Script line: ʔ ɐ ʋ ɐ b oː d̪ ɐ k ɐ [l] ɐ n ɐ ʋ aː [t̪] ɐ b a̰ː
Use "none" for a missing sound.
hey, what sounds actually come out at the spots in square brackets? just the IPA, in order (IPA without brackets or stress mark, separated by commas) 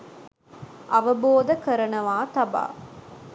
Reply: ɾ, t̪